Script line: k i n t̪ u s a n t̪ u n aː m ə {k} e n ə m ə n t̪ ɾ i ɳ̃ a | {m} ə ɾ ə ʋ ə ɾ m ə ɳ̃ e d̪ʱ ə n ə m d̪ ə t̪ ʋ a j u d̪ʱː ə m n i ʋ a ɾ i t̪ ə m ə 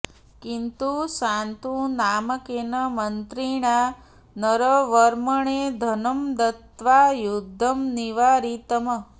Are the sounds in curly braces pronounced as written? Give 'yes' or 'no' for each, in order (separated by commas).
yes, no